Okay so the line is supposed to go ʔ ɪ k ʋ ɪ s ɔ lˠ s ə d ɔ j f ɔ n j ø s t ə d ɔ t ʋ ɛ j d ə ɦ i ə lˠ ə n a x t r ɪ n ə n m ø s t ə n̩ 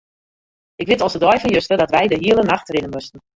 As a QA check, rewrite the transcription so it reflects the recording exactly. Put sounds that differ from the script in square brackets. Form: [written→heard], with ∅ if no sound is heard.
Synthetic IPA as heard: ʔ ɪ k ʋ ɪ [s→t] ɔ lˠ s ə d ɔ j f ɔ n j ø s t ə d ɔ t ʋ ɛ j d ə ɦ i ə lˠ ə n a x t r ɪ n ə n m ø s t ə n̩

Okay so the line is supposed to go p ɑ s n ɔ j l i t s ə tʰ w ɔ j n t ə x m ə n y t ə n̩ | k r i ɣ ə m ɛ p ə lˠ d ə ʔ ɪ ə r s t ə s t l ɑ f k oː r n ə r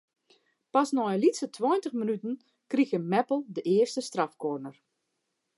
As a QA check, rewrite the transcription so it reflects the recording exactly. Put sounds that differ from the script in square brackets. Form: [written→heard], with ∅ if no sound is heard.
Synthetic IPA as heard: p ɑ s n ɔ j l i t s ə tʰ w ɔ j n t ə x m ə n y t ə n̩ | k r i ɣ ə m ɛ p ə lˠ d ə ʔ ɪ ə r s t ə s t [l→r] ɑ f k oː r n ə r

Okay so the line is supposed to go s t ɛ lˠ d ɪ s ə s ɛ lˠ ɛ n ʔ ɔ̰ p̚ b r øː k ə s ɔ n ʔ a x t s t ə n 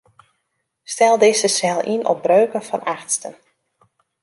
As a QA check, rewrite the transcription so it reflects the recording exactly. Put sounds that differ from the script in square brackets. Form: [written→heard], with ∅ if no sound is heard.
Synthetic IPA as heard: s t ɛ lˠ d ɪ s ə s ɛ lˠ [ɛ→i] n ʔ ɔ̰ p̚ b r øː k ə [s→f] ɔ n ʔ a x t s t ə n

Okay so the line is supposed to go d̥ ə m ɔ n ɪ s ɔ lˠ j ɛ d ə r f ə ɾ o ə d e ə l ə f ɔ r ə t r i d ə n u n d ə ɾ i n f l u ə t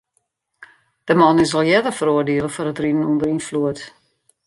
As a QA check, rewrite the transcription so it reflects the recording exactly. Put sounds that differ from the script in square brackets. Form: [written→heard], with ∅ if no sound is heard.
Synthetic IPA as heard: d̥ ə m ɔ n ɪ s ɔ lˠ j ɛ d ə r f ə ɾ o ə d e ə l ə f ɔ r ə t r i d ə n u n d ə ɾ i n f l u ə t

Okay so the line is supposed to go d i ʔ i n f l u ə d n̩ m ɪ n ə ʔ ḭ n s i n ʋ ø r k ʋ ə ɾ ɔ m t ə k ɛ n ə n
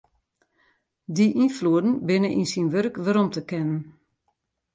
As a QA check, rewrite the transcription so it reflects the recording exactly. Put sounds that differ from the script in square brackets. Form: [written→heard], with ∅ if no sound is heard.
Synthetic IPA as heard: d i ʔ i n f l u ə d n̩ [m→b] ɪ n ə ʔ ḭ n s i n ʋ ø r k ʋ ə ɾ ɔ m t ə k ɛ n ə n

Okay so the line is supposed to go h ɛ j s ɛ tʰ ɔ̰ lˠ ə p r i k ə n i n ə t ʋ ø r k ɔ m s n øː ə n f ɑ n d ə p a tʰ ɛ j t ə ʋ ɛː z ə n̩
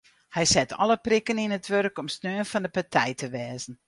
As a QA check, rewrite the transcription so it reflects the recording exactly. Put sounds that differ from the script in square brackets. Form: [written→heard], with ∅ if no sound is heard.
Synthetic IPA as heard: h ɛ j s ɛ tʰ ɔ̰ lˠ ə p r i k ə n i n ə t ʋ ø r k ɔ m s n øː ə n f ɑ n d ə p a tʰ ɛ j t ə ʋ ɛː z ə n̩

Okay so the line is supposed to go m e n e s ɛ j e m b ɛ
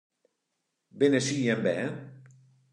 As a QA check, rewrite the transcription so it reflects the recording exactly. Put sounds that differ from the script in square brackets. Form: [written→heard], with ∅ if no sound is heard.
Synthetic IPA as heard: [m→b] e n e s [ɛ→i] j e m b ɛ

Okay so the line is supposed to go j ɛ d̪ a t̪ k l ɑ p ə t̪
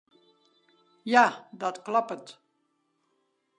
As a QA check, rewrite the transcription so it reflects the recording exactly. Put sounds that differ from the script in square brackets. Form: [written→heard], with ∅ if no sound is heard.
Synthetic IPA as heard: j [ɛ→a] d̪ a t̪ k l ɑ p ə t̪

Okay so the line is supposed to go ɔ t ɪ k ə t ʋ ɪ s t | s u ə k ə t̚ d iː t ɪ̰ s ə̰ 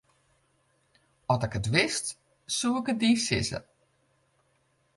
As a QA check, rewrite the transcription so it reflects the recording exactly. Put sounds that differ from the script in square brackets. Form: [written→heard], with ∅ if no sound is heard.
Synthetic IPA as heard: ɔ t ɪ k ə t ʋ ɪ s t | s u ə k ə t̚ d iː [t→s] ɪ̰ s ə̰

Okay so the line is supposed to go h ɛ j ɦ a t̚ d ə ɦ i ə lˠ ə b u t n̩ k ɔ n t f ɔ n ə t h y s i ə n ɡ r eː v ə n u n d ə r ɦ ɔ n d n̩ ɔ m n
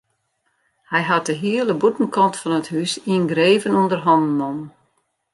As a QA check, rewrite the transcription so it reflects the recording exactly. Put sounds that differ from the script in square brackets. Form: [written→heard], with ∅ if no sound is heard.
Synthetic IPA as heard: h ɛ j ɦ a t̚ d ə ɦ i ə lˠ ə b u t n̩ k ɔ n t f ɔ n ə t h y s i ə n ɡ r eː v ə n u n d ə r ɦ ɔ n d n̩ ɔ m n

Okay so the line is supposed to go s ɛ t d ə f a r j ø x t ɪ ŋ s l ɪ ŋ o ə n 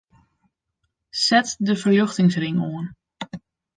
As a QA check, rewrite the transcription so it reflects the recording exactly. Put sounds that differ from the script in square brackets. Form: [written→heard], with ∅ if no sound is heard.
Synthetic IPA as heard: s ɛ t d ə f [a→ə] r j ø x t ɪ ŋ s [l→r] ɪ ŋ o ə n

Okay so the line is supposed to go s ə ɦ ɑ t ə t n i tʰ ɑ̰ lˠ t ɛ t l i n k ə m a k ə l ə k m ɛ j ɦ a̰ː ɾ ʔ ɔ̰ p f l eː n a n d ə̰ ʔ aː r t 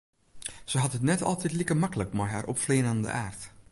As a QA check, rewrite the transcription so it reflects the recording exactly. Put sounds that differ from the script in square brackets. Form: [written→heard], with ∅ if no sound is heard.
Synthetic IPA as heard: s ə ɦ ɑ t ə t n [i→ɛ] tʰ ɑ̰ lˠ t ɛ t l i [n→∅] k ə m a k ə l ə k m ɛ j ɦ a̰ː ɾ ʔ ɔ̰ p f l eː n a n d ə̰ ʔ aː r t

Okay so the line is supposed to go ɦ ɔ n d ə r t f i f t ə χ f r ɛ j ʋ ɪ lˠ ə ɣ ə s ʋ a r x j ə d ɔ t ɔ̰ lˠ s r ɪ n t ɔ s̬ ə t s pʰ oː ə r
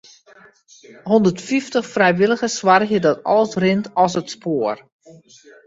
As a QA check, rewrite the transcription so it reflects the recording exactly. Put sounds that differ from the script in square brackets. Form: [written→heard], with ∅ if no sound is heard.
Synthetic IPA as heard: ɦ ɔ n d ə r t f i f t ə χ f r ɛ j ʋ ɪ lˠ ə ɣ ə s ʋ a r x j ə d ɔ t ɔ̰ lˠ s r ɪ n t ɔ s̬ ə t s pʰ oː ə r

